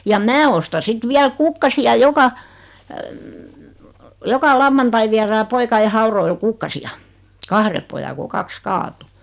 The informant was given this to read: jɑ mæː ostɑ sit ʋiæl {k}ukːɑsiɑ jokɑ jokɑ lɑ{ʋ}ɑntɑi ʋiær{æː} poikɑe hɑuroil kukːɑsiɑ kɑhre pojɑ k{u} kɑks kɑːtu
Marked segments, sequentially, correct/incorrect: correct, incorrect: ʋː, correct, incorrect: o

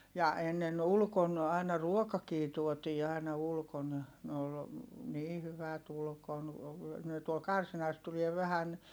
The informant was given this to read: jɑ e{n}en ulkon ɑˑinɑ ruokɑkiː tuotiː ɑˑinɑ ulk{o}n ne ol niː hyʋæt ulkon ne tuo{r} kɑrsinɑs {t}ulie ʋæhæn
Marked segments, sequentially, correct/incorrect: incorrect: nː, correct, incorrect: l, correct

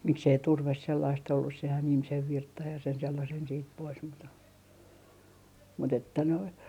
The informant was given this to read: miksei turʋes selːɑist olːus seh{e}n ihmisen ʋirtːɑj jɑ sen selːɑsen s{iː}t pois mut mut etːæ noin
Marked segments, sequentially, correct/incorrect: incorrect: æ, correct

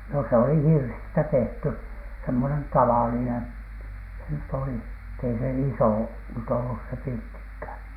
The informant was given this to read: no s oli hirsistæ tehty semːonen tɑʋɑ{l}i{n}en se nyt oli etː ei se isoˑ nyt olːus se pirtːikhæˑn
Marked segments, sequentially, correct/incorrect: correct, correct

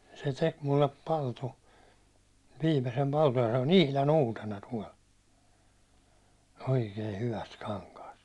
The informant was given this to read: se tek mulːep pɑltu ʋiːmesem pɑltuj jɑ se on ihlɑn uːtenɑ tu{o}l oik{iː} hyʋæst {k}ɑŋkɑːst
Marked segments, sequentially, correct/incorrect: incorrect: ɒ, incorrect: eː, correct

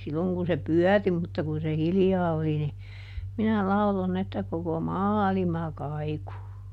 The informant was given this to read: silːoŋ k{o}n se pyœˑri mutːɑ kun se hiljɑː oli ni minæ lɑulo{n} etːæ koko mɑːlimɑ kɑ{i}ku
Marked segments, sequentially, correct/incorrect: incorrect: u, correct, correct

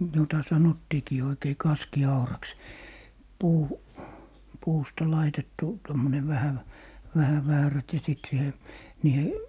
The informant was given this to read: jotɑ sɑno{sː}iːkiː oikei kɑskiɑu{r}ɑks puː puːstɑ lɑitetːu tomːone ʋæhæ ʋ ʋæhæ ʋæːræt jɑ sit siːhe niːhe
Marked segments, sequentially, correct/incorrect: incorrect: tː, correct

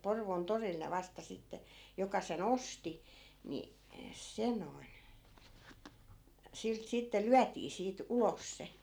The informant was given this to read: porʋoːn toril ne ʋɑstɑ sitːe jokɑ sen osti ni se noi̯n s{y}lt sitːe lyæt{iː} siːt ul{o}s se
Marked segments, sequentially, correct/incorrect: incorrect: i, correct, correct

